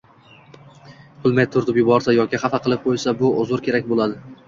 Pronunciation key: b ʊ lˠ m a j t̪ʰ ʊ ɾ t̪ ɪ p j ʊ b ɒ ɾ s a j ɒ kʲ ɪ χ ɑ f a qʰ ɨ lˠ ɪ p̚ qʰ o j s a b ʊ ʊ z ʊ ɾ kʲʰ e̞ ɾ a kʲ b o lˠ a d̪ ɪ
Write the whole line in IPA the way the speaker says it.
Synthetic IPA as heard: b ʊ lˠ m a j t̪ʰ ʊ ɾ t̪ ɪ p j ʊ b ɒ ɾ s a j ɒ kʲ ɪ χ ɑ f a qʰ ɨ lˠ ɪ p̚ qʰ o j s a b ʊ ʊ z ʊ ɾ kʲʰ e̞ ɾ a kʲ b o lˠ a d̪ ɪ